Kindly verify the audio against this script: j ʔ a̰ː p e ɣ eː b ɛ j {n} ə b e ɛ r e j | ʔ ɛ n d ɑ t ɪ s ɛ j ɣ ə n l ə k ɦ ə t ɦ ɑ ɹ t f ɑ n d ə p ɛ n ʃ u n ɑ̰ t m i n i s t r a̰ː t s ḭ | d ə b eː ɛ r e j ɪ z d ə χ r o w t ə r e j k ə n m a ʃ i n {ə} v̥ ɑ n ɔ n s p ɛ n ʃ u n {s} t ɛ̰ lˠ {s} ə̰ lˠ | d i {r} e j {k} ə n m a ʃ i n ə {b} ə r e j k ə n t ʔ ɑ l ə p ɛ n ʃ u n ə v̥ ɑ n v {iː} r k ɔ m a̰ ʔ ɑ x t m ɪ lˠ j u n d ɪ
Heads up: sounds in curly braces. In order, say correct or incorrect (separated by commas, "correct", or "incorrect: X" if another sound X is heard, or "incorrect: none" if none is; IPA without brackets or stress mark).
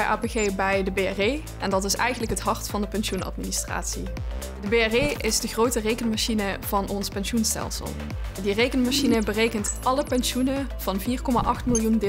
incorrect: d, correct, correct, correct, correct, correct, correct, correct